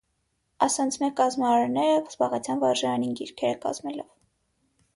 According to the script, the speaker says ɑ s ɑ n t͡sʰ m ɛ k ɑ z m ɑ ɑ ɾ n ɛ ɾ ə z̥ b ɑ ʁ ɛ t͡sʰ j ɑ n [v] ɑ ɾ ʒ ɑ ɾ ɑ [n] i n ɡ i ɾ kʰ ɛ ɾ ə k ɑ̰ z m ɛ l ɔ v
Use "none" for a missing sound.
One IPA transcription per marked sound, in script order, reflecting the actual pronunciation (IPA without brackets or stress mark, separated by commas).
v, n